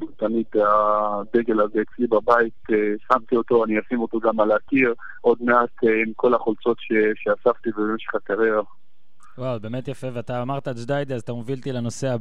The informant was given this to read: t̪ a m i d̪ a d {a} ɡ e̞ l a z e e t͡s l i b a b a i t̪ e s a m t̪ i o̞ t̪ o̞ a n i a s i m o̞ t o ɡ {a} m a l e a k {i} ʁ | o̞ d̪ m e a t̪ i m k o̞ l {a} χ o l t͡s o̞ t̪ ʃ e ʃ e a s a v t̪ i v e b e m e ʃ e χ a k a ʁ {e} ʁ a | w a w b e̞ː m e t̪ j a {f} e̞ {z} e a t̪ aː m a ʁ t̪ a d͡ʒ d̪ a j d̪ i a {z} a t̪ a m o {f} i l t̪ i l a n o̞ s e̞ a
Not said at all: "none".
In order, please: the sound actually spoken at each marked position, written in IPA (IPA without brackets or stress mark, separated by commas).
e, a, i, a, e, f, v, z, v